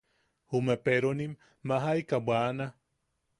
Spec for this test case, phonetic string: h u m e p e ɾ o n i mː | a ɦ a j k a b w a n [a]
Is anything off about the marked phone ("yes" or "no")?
no